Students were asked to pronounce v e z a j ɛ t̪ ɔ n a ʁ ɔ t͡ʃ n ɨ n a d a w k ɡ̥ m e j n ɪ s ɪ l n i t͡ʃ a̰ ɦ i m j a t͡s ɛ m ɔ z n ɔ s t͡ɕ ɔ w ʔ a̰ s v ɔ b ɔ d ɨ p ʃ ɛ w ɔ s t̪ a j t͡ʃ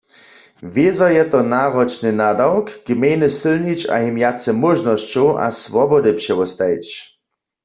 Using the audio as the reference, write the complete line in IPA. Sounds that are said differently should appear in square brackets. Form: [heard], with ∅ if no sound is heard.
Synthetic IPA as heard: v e z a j ɛ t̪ ɔ n a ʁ ɔ t͡ʃ n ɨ n a d a w k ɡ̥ m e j n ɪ s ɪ l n i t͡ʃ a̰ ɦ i m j a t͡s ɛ m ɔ [ʒ] n ɔ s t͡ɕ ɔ w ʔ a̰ s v ɔ b ɔ d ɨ p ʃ ɛ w ɔ s t̪ a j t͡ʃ